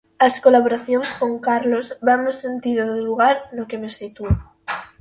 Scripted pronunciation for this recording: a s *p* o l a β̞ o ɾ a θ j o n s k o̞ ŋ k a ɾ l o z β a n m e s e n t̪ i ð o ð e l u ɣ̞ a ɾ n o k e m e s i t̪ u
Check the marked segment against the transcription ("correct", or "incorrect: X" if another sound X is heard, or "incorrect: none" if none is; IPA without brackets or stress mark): incorrect: k